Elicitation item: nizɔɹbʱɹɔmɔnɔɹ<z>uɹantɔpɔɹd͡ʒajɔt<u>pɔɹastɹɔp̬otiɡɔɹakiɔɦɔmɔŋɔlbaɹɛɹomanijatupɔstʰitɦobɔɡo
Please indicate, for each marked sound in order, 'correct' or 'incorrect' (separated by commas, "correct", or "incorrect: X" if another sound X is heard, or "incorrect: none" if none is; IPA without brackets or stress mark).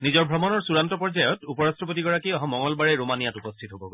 incorrect: s, correct